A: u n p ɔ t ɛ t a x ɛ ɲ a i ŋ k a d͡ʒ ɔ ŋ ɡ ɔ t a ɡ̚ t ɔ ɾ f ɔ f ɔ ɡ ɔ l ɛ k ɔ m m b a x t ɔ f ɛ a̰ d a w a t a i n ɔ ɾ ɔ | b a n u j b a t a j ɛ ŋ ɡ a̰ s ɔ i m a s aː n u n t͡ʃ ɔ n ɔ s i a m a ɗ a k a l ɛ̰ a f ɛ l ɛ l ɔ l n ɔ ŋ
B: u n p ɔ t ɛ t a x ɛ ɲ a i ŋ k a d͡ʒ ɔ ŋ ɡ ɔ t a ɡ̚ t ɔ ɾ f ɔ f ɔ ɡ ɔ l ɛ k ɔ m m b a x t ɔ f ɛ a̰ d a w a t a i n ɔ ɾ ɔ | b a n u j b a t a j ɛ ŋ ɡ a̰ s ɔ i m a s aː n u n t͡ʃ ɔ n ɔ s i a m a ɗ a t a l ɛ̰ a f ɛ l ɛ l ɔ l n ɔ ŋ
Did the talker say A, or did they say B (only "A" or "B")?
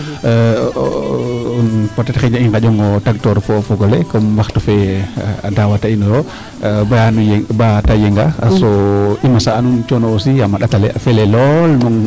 B